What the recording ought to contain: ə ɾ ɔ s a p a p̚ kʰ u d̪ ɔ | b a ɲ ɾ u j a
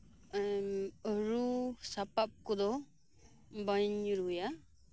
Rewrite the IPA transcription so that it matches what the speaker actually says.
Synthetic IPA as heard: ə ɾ u s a p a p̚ k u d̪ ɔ | b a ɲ ɾ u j a